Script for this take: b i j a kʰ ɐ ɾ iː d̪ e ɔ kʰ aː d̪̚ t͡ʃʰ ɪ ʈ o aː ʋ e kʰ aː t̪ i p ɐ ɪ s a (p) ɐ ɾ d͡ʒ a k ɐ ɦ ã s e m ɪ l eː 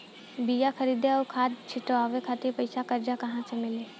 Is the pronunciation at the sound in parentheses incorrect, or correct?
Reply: incorrect